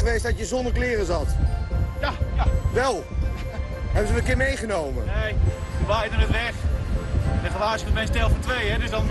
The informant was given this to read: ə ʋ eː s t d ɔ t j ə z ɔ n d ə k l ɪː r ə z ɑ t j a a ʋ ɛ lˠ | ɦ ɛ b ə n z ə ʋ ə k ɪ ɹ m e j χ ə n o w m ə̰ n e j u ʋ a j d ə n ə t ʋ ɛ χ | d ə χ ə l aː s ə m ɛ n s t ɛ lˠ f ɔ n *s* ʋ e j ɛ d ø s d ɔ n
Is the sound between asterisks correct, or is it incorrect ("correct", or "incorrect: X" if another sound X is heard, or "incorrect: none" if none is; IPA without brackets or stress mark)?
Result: incorrect: t